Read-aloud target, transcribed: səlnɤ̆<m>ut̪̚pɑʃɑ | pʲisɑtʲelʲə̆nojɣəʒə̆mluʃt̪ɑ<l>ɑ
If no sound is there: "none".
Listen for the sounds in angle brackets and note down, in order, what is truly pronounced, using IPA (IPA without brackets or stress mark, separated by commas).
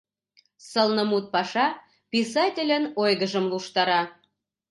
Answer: m, ɾ